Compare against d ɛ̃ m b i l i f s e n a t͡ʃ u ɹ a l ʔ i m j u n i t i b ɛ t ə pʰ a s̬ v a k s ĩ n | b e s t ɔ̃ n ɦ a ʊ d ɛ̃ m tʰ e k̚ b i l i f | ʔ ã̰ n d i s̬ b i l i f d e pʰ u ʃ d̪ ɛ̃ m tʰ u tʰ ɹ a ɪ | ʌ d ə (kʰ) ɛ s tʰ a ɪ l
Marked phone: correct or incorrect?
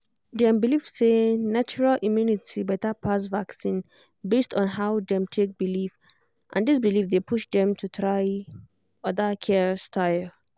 correct